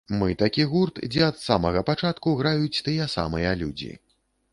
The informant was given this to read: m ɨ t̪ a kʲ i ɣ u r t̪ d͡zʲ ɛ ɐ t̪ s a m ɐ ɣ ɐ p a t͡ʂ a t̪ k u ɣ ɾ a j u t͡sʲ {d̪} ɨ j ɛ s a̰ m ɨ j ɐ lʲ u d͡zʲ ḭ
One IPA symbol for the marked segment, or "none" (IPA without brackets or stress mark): t̪